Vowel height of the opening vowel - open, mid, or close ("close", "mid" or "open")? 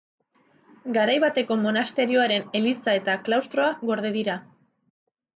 open